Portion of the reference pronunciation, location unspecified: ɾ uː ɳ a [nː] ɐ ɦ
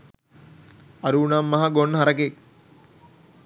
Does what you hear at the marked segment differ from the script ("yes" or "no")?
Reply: yes